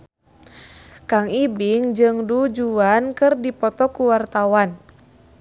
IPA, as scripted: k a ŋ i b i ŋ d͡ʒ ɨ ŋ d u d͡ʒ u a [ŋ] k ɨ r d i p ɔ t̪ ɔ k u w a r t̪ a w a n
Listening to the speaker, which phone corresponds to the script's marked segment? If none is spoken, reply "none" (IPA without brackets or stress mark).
n